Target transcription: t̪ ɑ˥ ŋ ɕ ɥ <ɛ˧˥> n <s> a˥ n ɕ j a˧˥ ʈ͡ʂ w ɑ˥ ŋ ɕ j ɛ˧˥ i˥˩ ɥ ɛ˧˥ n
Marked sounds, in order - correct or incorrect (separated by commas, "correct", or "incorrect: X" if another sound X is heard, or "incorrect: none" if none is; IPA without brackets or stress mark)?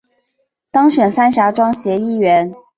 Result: incorrect: ɛ˨˩, correct